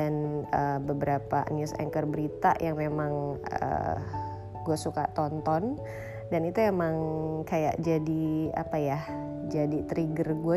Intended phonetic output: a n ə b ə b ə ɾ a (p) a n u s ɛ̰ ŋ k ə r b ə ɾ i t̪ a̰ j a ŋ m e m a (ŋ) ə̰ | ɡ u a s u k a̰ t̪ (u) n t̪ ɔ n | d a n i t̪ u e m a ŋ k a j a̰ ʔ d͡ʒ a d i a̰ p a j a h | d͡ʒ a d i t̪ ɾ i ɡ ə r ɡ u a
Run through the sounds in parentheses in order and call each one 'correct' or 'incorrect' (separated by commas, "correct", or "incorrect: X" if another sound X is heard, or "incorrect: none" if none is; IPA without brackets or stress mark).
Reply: correct, correct, incorrect: ɔ